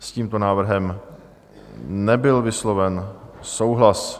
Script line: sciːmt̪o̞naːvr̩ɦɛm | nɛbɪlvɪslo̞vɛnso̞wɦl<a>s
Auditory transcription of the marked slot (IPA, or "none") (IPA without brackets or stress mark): a